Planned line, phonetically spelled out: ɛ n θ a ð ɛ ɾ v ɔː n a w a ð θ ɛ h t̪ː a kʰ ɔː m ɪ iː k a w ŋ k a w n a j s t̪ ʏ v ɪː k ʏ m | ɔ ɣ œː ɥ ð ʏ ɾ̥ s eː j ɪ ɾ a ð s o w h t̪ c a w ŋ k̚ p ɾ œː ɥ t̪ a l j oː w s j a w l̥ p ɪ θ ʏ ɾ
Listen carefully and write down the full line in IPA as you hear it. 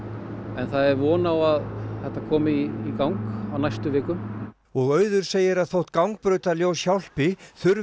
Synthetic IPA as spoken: ɛ n θ a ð ɛ ɾ v ɔː n a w a ð θ ɛ h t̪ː a kʰ ɔː m ɪ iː k a w ŋ k a w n a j s t̪ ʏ v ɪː k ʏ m | ɔ ɣ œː ɥ ð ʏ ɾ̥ s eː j ɪ ɾ a ð θ o w h t̪ k a w ŋ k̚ p ɾ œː ɥ t̪ a l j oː w s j a w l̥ p ɪ θ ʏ ɾ